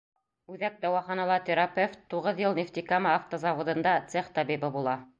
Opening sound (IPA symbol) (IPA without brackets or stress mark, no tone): ʉ